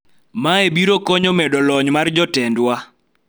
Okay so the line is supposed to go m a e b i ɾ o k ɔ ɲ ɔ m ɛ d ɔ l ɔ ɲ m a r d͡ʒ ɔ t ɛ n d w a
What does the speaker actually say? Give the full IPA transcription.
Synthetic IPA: m a e b i ɾ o k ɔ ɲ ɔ m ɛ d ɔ l ɔ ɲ m a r d͡ʒ ɔ t ɛ n d w a